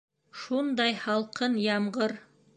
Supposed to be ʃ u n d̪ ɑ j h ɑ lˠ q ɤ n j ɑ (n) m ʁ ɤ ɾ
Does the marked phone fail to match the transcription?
yes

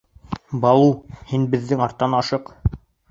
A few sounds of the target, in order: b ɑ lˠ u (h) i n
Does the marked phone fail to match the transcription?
no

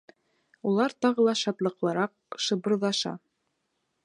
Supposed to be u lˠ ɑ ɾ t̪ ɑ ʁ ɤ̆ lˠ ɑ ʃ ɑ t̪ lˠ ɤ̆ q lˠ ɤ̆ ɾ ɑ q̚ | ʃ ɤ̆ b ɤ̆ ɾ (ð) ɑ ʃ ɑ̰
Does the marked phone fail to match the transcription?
no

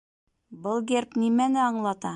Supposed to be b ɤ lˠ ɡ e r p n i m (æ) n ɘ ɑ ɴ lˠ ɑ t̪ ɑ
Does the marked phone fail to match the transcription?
no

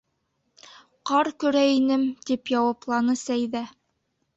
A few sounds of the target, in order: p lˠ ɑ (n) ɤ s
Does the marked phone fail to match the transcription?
no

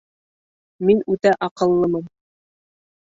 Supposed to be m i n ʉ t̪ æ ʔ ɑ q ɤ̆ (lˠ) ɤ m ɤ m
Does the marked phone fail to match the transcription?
yes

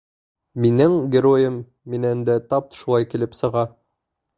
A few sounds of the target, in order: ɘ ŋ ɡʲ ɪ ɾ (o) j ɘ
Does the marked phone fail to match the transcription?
no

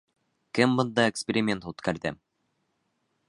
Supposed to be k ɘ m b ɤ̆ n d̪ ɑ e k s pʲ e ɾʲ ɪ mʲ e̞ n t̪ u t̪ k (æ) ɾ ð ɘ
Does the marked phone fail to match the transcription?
no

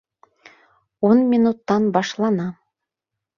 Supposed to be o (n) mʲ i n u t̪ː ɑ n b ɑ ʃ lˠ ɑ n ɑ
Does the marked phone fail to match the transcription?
no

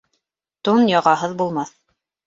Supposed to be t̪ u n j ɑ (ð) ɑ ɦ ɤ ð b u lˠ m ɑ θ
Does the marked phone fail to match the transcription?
yes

